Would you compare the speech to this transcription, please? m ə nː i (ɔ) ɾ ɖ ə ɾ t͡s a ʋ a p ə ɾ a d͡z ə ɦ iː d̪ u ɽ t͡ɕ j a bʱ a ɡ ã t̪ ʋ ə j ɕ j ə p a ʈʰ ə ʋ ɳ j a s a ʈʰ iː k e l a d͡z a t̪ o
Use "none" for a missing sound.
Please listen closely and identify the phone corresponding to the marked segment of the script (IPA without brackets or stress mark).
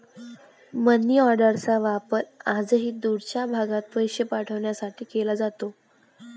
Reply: ɔ